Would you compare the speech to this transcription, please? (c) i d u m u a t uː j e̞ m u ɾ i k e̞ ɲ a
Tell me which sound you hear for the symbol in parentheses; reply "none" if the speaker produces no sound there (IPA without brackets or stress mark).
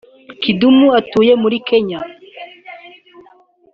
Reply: k